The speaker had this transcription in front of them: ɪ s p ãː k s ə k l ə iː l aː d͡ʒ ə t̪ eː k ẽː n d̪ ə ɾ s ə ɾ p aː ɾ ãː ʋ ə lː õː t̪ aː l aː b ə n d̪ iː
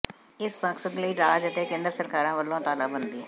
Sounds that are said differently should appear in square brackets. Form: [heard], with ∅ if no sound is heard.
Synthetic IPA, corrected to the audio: ɪ s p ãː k s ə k l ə iː [ɾ] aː d͡ʒ ə t̪ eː k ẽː n d̪ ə ɾ s ə ɾ [k] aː ɾ ãː ʋ ə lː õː t̪ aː l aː b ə n d̪ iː